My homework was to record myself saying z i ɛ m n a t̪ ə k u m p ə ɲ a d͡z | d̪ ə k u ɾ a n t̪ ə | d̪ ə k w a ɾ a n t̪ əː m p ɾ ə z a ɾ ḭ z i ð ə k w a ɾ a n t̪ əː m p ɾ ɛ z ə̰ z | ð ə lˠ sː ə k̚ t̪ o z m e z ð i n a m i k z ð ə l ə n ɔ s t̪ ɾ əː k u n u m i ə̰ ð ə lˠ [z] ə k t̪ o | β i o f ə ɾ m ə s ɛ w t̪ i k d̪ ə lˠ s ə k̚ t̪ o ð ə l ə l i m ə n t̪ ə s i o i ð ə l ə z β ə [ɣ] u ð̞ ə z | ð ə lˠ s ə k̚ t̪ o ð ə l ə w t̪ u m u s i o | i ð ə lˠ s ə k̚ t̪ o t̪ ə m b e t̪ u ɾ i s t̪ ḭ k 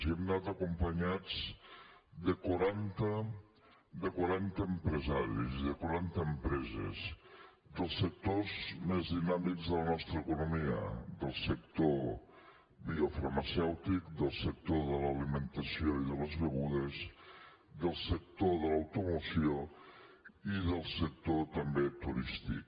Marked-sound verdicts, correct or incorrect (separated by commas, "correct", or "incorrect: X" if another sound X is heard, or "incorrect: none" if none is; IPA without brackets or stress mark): incorrect: s, correct